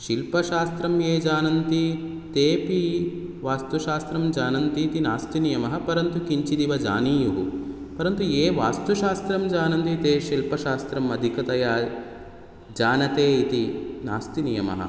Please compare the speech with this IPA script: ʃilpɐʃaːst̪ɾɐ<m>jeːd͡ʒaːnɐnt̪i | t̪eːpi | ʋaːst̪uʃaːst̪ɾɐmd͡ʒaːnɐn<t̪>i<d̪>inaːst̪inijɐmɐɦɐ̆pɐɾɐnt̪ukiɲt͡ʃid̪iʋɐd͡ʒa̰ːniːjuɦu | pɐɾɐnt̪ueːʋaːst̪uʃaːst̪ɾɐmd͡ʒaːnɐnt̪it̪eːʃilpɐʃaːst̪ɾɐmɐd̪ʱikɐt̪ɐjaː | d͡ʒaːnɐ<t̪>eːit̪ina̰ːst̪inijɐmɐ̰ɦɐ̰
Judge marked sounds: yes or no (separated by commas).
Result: yes, yes, no, yes